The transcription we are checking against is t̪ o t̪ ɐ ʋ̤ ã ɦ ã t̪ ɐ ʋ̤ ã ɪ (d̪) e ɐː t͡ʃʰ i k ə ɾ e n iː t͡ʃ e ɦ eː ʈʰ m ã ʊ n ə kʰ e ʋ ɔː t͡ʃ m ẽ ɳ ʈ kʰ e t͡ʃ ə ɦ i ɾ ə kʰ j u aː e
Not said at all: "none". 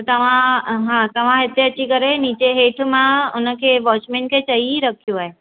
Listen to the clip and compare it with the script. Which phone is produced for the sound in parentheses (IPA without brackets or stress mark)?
t̪